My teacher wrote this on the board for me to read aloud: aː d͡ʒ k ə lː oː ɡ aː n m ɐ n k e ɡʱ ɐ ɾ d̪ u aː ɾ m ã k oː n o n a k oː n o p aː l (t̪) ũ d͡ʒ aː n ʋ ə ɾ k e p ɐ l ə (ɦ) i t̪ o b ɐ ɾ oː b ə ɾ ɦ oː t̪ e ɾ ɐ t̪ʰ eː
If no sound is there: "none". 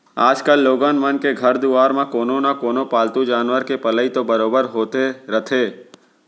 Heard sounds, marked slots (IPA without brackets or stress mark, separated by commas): t̪, none